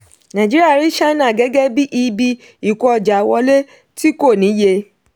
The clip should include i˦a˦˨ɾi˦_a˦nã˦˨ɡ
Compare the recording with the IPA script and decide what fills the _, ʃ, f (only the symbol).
ʃ